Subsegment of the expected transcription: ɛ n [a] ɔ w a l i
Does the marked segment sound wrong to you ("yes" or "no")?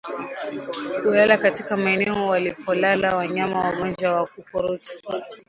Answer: yes